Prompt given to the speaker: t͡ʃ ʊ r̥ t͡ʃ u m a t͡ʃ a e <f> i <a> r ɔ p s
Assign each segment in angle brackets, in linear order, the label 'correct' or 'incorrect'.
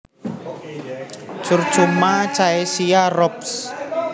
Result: incorrect, correct

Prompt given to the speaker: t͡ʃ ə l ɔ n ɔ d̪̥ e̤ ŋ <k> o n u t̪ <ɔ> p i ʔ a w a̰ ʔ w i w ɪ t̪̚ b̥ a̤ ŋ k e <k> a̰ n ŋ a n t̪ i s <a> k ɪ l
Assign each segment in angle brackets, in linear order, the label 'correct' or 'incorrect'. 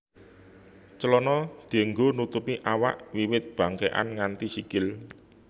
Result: incorrect, incorrect, incorrect, incorrect

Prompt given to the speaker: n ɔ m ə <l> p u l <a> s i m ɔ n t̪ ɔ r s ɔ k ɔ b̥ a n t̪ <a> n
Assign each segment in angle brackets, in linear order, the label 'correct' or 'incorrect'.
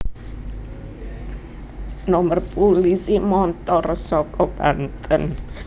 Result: incorrect, incorrect, incorrect

